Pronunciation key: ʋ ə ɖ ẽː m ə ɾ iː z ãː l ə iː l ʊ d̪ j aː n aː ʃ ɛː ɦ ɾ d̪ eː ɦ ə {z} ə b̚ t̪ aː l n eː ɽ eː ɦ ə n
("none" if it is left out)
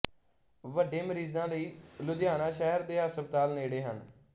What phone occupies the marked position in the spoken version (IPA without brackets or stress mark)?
s